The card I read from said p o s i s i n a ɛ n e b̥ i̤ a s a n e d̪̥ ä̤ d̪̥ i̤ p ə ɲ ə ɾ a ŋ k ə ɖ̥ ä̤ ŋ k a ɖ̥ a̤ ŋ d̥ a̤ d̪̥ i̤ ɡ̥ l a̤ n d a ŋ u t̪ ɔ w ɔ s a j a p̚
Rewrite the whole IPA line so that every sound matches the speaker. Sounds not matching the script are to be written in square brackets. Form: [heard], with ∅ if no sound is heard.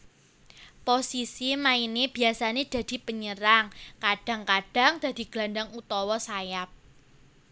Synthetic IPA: p o s i s i [m] a [i] n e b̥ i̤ a s a n e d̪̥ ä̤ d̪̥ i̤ p ə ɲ ə ɾ a ŋ k [a] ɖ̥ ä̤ ŋ k a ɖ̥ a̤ ŋ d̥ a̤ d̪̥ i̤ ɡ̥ l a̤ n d a ŋ u t̪ ɔ w ɔ s a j a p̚

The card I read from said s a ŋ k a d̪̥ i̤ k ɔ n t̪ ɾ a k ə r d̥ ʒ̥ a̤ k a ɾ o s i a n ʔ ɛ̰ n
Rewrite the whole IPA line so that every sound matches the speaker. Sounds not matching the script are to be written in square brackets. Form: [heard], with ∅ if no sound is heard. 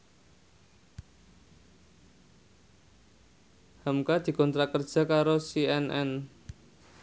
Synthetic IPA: [h] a [m] k a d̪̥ i̤ k ɔ n t̪ ɾ a k ə r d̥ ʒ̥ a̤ k a ɾ o s i [ɛ] n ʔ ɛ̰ n

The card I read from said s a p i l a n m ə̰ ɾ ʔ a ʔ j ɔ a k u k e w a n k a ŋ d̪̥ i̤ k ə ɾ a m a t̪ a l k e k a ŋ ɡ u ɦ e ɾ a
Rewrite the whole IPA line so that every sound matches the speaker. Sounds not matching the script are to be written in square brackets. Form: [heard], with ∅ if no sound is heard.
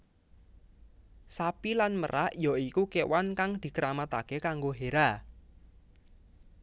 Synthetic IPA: s a p i l a n m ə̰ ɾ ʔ a ʔ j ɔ [i] k u k e w a n k a ŋ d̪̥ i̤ k ə ɾ a m a t̪ a [∅] k e k a ŋ ɡ [o] ɦ e ɾ a

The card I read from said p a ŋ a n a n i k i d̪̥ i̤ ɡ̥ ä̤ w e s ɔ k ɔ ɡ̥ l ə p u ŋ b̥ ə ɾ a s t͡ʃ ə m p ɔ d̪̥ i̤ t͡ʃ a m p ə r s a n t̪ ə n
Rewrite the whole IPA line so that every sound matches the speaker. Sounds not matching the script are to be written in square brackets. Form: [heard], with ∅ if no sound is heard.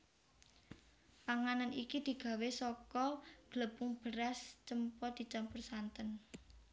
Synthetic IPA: p a ŋ a n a n i k i d̪̥ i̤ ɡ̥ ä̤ w e s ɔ k ɔ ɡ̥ l ə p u ŋ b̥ ə ɾ a s t͡ʃ ə m p ɔ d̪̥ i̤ t͡ʃ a m p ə r s a n t̪ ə n

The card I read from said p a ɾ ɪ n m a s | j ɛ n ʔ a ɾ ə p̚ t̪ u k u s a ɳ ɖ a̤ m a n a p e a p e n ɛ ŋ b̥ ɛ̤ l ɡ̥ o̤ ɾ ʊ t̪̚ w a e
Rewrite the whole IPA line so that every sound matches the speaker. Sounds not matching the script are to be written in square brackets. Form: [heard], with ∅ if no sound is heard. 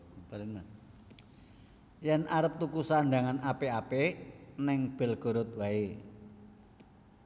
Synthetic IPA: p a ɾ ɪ n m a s | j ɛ n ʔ a ɾ ə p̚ t̪ u k u s a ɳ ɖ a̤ [ŋ] a n a p e a p e n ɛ ŋ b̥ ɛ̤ l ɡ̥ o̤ ɾ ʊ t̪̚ w a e

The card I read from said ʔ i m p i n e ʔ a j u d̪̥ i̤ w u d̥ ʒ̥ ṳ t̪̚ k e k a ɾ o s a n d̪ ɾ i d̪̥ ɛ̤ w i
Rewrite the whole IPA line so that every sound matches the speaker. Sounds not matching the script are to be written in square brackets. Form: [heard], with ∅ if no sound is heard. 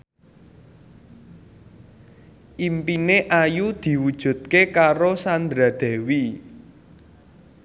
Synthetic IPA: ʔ i m p i n e ʔ a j u d̪̥ i̤ w u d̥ ʒ̥ ṳ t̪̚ k e k a ɾ o s a n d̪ ɾ [a] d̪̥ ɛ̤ w i

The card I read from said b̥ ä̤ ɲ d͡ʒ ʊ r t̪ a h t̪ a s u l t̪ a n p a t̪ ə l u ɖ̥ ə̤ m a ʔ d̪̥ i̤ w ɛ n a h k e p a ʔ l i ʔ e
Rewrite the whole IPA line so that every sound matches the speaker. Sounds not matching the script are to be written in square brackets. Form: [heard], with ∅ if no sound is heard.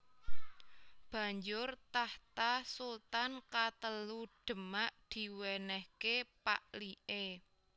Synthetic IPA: b̥ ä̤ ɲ d͡ʒ ʊ r t̪ a h t̪ a s u l t̪ a n [k] a t̪ ə l u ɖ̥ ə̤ m a ʔ d̪̥ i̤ w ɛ n [ɛ] h k e p a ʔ l i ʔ e

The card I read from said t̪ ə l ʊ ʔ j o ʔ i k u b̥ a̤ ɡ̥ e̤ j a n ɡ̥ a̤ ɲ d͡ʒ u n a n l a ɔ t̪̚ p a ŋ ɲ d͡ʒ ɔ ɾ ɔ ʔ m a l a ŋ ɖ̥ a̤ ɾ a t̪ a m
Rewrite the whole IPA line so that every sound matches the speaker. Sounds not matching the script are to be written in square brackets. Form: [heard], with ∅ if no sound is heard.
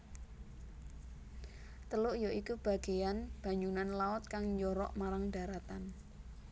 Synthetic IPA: t̪ ə l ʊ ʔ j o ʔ i k u b̥ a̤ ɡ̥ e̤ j a n [b̥] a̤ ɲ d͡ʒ u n a n l a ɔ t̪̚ [k] a ŋ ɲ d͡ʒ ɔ ɾ ɔ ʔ m a [ɾ] a ŋ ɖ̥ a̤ ɾ a t̪ a [n]

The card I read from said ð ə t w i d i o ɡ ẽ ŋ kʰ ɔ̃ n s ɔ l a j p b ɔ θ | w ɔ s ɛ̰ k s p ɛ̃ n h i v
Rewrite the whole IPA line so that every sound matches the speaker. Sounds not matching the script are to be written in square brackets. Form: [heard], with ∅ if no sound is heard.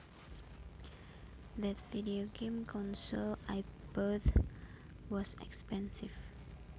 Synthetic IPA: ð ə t [v] i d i o ɡ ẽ [m] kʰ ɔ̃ n s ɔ l a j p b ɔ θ | w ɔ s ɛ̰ k s p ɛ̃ n [s] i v

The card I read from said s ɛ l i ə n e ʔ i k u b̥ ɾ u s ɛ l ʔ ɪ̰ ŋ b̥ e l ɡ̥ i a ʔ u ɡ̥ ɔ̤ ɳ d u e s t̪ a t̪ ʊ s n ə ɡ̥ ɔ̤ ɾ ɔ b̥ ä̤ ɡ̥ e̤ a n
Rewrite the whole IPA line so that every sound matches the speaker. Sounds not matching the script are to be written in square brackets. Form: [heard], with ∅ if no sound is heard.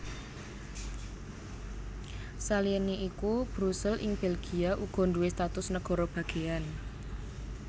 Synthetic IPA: s [a] l i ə n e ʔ i k u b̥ ɾ u s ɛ l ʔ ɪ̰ ŋ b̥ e l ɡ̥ i a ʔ u ɡ̥ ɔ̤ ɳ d u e s t̪ a t̪ ʊ s n ə ɡ̥ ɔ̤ ɾ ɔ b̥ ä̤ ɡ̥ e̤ a n

